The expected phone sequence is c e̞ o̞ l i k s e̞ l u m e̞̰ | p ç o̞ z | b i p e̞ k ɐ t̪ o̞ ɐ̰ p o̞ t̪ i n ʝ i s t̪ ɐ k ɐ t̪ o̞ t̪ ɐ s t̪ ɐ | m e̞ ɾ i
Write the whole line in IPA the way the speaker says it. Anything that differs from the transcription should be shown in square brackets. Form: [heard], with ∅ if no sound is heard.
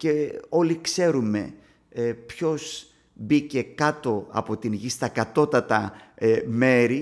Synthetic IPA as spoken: c e̞ o̞ l i k s e̞ [ɾ] u m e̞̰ | p ç o̞ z | b i [c] e̞ k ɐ t̪ o̞ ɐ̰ p o̞ t̪ i n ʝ i s t̪ ɐ k ɐ t̪ o̞ t̪ ɐ [∅] t̪ ɐ | m e̞ ɾ i